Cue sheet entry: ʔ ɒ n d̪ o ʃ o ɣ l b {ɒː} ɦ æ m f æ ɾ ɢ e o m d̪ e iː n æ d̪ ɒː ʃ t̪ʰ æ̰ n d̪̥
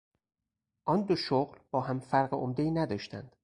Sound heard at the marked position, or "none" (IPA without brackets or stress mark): ɒː